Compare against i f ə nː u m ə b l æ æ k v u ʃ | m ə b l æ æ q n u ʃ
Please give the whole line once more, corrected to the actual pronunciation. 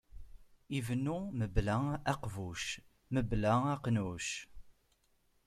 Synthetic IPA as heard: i v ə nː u m ə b l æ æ q v u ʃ | m ə b l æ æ q n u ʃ